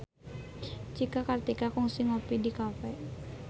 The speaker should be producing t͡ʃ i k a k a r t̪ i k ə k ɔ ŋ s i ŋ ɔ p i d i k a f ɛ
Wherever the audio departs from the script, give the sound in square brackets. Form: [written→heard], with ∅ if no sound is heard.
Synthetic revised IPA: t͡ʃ i k a k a r t̪ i k [ə→a] k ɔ ŋ s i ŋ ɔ p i d i k a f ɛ